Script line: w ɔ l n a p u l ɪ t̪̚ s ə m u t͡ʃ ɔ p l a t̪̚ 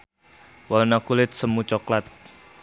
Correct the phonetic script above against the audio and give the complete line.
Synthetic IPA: w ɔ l n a k u l ɪ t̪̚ s ə m u t͡ʃ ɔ k l a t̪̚